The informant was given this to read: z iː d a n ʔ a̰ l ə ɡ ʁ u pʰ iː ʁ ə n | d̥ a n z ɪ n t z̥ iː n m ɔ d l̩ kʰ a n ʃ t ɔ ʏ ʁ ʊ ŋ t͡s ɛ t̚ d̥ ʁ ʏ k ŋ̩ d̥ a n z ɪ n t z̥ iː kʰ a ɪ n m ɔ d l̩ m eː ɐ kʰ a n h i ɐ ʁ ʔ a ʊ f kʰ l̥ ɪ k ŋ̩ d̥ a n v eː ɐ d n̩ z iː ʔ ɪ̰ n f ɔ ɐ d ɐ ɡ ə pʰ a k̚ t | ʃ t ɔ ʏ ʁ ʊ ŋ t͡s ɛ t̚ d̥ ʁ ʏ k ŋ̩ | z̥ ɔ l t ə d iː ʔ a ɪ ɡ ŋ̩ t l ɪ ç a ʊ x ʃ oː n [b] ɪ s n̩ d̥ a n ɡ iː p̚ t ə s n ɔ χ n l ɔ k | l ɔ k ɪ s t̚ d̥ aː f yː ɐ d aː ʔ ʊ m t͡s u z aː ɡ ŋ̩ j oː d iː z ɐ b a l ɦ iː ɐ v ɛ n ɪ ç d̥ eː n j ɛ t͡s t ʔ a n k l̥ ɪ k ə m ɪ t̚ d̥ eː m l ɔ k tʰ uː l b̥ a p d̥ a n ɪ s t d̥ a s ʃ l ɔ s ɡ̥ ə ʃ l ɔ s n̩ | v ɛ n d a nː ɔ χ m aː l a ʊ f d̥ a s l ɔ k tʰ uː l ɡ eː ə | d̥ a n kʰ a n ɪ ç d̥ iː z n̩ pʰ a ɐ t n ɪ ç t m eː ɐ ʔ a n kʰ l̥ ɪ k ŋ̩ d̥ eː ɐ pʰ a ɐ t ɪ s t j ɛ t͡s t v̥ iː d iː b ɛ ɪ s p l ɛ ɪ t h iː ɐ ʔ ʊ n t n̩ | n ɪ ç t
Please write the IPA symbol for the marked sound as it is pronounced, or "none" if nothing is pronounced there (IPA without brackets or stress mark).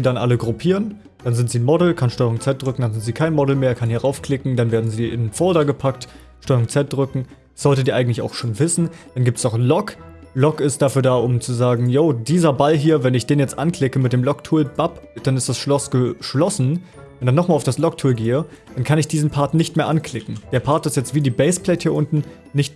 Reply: v